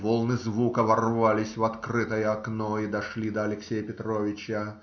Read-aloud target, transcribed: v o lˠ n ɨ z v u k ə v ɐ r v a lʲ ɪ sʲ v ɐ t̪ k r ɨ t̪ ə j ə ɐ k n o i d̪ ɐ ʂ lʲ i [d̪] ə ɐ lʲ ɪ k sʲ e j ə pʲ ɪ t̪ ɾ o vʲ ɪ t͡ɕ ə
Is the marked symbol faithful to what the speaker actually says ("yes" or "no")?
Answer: yes